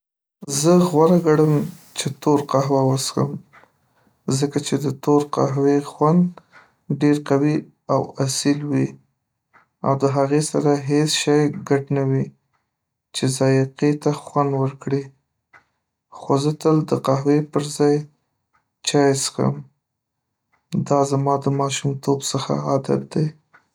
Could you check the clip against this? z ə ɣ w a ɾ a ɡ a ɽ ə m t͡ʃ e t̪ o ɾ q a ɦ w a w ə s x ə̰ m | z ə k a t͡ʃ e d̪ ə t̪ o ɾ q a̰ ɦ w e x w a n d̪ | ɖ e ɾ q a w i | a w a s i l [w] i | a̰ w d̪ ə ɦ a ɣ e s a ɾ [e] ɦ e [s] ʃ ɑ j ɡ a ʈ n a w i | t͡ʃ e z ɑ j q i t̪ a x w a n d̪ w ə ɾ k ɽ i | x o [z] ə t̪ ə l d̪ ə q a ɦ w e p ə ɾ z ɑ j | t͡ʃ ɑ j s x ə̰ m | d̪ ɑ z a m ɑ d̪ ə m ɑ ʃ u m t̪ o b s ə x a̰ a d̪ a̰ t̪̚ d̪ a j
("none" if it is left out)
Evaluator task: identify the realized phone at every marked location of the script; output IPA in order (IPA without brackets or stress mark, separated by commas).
w, a, s, z